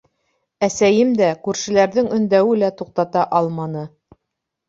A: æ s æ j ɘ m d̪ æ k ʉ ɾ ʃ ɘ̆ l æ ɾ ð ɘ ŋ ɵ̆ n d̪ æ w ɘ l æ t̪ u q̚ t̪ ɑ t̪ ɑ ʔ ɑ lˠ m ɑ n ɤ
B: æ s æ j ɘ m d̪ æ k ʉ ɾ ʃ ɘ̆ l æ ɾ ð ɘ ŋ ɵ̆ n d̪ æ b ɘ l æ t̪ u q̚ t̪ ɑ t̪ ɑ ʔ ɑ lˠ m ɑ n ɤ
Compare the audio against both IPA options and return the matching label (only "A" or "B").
A